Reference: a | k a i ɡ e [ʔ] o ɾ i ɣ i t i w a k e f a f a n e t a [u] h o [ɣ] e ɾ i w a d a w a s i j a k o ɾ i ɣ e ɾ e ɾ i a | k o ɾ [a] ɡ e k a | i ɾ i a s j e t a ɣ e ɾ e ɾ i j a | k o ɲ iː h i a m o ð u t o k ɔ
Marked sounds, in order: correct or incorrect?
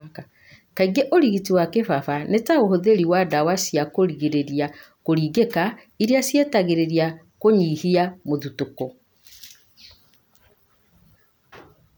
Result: correct, incorrect: o, incorrect: ð, incorrect: i

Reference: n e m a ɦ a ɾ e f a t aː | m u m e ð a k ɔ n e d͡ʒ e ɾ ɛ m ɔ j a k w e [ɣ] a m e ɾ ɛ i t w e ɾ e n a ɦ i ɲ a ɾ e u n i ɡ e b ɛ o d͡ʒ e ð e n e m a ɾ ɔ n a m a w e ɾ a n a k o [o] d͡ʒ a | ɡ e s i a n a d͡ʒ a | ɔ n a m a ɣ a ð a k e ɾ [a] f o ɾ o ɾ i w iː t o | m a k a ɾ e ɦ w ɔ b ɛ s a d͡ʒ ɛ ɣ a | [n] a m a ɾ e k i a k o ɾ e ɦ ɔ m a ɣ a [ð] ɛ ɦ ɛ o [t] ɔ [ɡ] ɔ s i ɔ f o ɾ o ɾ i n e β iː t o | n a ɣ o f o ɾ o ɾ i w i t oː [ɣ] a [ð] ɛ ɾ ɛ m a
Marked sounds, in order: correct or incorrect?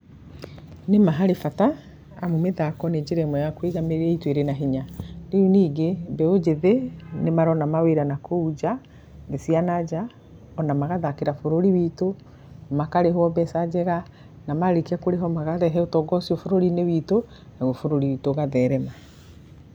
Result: correct, incorrect: u, correct, correct, correct, correct, correct, correct, correct

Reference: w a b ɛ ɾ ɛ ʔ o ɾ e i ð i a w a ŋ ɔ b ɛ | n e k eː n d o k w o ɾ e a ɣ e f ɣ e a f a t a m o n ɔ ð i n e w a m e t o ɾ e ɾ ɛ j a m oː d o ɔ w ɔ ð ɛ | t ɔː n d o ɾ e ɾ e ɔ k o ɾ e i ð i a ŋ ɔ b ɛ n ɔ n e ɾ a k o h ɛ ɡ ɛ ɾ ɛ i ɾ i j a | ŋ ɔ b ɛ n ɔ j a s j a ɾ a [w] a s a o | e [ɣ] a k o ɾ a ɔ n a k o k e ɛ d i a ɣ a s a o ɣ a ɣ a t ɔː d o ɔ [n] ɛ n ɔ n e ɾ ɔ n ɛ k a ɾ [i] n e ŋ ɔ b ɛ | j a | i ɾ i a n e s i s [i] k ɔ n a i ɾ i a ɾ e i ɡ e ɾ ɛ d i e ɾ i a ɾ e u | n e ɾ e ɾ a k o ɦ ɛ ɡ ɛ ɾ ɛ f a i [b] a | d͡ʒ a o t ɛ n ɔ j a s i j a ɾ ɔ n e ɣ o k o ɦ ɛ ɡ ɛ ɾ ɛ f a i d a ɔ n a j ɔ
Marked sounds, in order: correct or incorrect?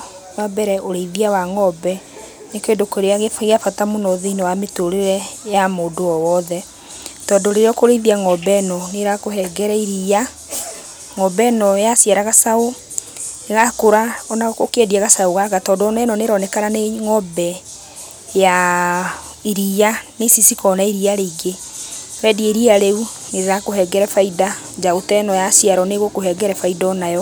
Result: incorrect: ɣ, correct, correct, incorrect: a, correct, incorrect: d

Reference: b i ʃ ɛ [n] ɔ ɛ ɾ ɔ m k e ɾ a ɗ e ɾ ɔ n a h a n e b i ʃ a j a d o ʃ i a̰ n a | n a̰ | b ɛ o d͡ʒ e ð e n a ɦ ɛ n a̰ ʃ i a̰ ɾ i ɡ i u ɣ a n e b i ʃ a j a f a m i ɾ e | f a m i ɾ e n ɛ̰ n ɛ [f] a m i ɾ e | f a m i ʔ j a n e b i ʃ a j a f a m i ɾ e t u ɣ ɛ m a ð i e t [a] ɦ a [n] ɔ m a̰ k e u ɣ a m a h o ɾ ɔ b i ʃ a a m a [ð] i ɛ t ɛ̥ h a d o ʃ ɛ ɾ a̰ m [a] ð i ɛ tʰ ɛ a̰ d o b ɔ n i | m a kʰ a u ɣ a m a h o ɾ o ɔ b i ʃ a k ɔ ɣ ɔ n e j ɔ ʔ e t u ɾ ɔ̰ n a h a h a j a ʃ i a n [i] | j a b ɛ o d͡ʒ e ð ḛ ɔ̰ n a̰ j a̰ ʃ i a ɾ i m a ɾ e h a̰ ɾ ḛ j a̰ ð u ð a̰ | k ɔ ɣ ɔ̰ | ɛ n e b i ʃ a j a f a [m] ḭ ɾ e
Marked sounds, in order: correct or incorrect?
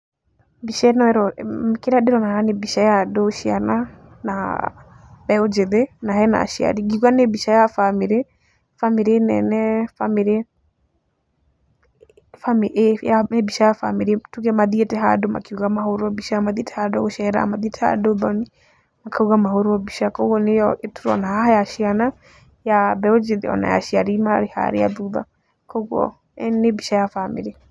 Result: correct, correct, incorrect: ɛ, incorrect: d, correct, correct, incorrect: a, correct

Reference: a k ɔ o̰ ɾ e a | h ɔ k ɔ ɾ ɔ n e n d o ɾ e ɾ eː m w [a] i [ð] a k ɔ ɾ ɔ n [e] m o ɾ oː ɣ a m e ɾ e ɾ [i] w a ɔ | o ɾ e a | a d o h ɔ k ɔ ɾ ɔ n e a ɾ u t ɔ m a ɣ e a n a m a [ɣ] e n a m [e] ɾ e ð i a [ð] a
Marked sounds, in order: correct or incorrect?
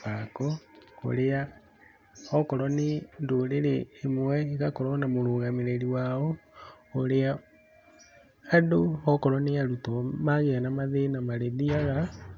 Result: incorrect: ɛ, incorrect: ɣ, incorrect: a, correct, incorrect: ð, incorrect: a, incorrect: ɣ

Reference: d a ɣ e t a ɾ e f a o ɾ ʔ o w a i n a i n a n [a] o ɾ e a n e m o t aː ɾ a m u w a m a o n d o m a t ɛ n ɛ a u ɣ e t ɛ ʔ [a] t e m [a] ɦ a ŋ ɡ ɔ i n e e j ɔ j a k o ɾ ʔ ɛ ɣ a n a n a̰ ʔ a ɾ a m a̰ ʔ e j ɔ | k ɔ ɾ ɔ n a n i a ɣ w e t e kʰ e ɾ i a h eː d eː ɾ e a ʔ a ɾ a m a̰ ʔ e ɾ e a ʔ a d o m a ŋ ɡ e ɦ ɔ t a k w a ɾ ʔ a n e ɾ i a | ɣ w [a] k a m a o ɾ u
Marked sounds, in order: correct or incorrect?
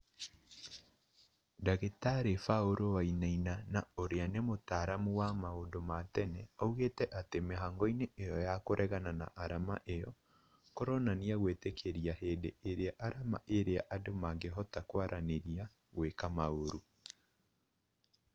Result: correct, correct, incorrect: e, incorrect: e

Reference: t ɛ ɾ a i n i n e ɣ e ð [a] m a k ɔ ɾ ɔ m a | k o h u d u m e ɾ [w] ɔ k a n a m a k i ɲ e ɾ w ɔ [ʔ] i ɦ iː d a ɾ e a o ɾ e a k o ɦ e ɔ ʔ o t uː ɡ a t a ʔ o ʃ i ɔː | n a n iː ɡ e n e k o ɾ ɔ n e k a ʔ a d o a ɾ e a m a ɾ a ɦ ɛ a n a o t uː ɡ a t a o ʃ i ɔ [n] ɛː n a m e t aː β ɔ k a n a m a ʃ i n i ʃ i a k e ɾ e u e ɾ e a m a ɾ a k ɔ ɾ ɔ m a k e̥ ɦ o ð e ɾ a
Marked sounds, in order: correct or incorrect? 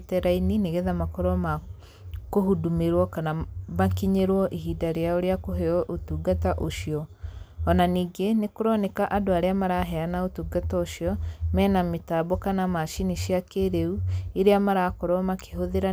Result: correct, correct, correct, incorrect: m

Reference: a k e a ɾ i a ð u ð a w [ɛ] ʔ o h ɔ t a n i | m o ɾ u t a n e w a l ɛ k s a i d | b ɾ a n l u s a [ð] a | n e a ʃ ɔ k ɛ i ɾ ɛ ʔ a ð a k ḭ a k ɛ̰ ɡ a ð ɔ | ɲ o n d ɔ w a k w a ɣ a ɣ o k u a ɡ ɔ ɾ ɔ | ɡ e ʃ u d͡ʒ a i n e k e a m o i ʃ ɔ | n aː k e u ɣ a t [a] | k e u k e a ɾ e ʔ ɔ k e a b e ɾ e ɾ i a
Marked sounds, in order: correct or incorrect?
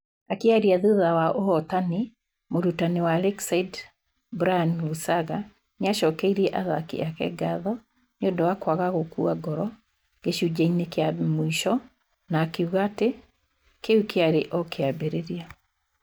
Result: incorrect: a, incorrect: ɣ, incorrect: e

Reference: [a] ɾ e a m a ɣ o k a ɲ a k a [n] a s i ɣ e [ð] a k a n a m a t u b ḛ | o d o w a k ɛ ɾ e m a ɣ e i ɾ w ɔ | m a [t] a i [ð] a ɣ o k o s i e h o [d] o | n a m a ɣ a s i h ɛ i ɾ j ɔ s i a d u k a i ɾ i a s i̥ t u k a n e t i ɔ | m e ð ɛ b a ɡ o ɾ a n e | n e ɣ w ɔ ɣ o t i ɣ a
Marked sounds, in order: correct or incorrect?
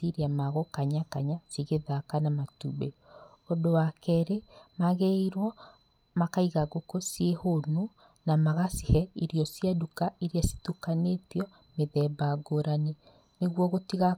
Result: incorrect: i, incorrect: ɲ, correct, incorrect: k, incorrect: ɣ, incorrect: n

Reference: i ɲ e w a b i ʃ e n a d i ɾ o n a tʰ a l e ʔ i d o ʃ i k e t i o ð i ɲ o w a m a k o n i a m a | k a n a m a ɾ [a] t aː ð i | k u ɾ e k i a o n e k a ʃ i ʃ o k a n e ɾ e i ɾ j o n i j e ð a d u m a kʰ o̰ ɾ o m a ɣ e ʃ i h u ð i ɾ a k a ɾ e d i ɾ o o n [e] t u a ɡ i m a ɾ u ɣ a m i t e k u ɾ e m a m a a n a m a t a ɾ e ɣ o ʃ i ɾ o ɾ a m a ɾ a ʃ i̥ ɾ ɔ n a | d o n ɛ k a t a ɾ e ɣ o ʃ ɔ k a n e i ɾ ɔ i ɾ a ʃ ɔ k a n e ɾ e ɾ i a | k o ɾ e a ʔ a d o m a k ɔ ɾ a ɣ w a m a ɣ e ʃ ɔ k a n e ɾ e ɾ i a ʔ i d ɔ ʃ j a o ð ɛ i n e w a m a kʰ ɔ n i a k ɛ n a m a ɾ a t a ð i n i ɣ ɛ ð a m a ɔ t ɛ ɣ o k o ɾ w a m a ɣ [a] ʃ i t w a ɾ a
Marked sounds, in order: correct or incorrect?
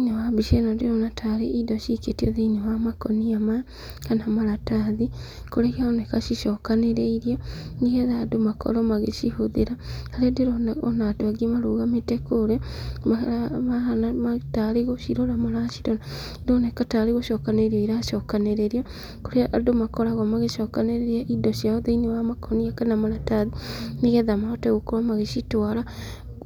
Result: correct, incorrect: a, incorrect: e

